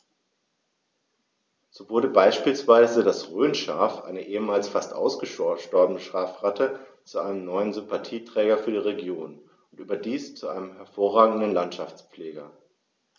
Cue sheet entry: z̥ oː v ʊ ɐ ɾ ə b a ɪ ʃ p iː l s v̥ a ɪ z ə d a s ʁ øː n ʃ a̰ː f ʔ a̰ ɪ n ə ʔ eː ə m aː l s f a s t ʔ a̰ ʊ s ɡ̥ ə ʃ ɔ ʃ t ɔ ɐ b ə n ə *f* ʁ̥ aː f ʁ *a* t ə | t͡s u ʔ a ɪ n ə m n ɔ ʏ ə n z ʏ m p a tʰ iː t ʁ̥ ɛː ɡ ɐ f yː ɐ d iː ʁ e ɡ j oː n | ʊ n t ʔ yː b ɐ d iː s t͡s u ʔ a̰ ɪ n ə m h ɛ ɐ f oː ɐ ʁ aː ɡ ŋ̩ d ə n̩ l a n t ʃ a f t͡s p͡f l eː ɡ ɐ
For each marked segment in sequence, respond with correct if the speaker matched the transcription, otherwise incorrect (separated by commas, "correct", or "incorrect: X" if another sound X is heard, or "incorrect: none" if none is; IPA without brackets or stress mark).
incorrect: ʃ, correct